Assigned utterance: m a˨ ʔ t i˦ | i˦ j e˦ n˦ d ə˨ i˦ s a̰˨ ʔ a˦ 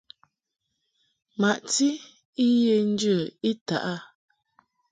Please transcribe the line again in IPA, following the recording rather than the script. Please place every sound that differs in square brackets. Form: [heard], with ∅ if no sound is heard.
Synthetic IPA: m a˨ ʔ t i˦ | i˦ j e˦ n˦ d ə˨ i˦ [t] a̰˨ ʔ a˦